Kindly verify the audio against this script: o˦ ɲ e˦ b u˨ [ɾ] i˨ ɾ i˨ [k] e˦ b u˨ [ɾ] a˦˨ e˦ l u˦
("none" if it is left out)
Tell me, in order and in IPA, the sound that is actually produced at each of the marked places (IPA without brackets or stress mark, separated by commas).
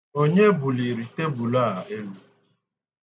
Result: l, t, l